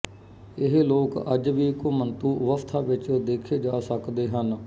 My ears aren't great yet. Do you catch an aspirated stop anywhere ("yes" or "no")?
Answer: yes